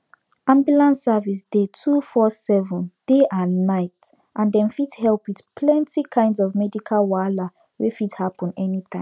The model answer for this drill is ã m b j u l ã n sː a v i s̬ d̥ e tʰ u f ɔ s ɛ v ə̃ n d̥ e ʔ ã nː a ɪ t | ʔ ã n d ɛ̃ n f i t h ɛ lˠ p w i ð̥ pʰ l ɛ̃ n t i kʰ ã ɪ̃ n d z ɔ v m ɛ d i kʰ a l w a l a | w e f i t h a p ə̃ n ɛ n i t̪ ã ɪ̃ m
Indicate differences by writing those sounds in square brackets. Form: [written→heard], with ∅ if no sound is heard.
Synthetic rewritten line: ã m b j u l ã n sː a v i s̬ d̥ e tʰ u f ɔ s ɛ v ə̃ n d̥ e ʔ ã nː a ɪ t | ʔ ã n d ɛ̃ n f i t h ɛ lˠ p w i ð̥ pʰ l ɛ̃ n t i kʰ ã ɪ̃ n d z ɔ v m ɛ d i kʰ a l w a l a | w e f i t h a p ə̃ n ɛ n i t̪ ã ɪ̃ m